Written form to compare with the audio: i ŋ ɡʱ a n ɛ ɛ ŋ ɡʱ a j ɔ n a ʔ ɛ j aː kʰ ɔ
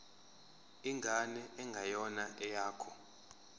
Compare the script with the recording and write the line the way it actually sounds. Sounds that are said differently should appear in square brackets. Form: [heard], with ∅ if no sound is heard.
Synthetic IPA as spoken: i ŋ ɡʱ a n ɛ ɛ ŋ ɡʱ a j ɔ n a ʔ ɛ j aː kʰ ɔ